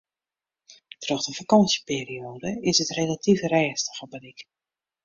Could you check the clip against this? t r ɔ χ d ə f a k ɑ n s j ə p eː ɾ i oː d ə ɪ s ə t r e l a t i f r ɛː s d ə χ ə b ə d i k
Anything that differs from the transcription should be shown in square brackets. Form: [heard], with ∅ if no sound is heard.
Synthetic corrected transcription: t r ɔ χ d ə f a k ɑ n s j ə p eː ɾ i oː d ə ɪ s ə t r e l a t i f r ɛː s [t] ə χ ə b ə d i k